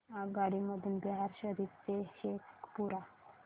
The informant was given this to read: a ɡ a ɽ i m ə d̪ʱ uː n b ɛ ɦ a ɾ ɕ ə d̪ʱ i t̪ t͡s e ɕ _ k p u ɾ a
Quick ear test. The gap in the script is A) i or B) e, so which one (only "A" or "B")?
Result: B